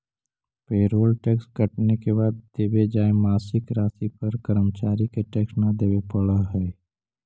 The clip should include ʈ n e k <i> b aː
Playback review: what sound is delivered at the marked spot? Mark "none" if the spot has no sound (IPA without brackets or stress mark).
e